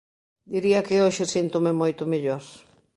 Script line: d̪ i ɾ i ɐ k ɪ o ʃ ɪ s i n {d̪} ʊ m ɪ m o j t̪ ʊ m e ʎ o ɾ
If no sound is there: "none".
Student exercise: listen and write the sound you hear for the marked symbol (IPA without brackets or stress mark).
t̪